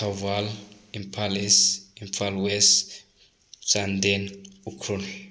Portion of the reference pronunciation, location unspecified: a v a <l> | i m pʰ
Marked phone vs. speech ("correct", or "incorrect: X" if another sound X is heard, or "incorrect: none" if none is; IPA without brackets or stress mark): correct